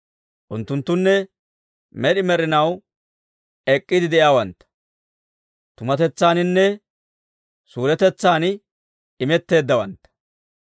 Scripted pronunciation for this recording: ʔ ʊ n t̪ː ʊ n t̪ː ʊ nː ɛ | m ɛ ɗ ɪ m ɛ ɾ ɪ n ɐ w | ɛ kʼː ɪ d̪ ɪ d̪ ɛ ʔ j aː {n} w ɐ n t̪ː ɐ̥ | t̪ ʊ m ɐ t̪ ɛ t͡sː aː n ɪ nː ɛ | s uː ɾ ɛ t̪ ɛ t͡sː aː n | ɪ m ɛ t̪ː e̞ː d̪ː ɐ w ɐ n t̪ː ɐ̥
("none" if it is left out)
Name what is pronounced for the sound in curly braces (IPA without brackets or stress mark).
none